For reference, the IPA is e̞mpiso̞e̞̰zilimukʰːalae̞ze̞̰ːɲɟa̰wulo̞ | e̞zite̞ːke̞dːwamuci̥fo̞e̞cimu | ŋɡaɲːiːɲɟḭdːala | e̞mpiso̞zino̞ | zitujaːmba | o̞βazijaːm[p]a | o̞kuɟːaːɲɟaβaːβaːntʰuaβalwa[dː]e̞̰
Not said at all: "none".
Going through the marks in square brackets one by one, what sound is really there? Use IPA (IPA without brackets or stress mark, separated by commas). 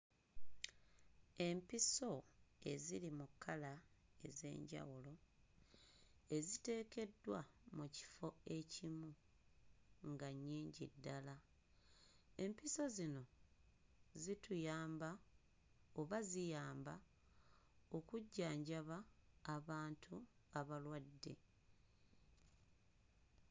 b, dː